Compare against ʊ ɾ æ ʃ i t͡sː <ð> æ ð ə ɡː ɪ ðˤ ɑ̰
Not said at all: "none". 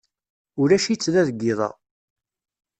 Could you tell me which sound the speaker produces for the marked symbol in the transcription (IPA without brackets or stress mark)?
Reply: ð